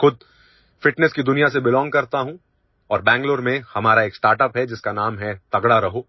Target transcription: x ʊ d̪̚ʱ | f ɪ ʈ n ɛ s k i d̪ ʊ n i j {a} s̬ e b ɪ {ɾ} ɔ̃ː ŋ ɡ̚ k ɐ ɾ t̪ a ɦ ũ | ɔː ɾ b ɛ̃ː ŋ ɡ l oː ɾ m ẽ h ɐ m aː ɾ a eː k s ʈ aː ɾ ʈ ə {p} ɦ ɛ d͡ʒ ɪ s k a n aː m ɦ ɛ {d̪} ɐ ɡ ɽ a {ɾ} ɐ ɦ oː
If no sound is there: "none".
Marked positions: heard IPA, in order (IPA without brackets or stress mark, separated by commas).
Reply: a, l, p, t̪, ɾ